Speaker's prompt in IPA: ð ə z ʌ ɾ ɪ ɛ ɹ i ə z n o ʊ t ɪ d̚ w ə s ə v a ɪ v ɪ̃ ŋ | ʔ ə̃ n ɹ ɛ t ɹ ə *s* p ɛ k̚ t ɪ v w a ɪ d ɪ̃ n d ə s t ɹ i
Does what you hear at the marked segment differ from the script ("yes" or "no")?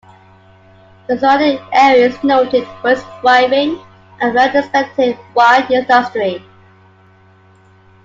no